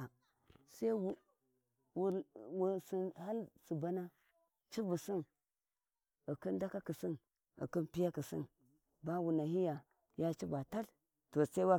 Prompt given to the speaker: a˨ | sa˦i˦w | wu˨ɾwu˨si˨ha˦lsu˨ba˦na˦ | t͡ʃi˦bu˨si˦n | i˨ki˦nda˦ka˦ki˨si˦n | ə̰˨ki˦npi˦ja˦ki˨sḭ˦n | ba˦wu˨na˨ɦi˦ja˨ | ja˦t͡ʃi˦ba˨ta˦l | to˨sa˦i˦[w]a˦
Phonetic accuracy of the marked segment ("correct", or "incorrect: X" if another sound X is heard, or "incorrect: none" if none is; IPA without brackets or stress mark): correct